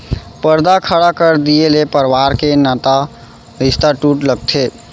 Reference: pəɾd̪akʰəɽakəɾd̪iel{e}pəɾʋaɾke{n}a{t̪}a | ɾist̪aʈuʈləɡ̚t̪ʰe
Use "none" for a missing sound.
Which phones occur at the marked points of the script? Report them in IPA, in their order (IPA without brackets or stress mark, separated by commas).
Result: e, n, t̪